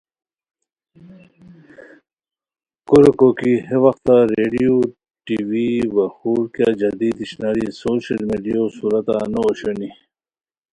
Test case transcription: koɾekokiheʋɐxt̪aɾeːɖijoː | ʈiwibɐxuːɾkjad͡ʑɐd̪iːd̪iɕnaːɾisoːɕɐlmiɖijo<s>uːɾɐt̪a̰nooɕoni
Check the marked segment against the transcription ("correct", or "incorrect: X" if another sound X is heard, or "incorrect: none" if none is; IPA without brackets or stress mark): correct